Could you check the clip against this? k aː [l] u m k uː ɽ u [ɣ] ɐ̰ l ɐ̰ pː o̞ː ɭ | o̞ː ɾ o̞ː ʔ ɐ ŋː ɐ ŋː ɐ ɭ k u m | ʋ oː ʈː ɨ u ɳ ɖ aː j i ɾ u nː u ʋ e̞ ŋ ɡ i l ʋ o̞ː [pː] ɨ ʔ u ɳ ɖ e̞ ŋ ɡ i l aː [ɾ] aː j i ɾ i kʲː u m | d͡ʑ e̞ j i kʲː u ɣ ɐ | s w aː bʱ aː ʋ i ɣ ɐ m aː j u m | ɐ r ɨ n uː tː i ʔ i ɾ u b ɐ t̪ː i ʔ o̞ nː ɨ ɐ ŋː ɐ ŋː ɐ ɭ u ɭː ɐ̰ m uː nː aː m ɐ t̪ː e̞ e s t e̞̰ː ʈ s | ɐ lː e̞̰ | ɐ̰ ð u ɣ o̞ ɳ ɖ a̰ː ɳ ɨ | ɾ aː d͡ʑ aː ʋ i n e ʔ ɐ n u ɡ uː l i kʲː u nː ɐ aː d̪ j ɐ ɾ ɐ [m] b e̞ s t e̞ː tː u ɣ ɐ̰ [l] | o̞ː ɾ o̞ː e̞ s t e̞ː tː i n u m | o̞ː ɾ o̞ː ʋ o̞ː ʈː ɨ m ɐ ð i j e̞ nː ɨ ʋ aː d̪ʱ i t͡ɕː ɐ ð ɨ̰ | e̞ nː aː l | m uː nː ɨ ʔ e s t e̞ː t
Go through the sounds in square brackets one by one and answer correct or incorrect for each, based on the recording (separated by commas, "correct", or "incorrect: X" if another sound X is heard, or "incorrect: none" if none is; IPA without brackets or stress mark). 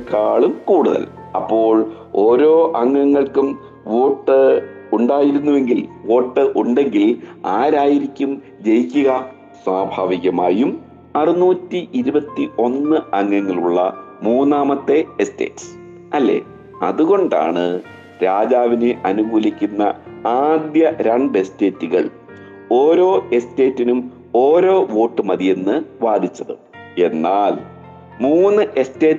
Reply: incorrect: ɭ, incorrect: ð, incorrect: ʈː, correct, incorrect: ɳ, incorrect: ɭ